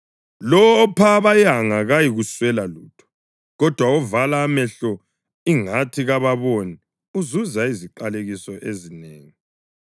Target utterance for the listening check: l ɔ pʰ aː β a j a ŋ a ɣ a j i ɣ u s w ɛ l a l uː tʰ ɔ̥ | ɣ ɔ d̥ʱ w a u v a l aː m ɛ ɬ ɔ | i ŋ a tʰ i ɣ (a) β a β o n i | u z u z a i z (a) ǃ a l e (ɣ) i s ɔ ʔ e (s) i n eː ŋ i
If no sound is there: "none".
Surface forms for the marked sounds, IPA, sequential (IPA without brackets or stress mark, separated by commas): a, i, ɣ, z